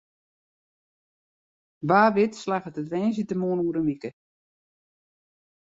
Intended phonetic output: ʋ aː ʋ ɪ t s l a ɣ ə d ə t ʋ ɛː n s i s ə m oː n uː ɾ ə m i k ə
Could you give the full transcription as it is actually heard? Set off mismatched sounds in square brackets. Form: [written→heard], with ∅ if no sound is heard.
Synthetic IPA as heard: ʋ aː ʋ ɪ t s l a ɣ ə [d→t] ə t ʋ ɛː n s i [s→t] ə m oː n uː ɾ ə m i k ə